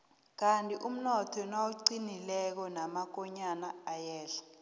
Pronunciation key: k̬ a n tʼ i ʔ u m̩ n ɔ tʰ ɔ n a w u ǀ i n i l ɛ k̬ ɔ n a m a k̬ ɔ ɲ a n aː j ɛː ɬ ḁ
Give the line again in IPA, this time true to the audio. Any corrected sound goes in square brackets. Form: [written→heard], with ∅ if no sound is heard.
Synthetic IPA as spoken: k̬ a n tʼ i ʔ u m̩ n ɔ tʰ ɔ n a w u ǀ i n i l ɛ k̬ ɔ n a m a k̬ ɔ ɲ a n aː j ɛː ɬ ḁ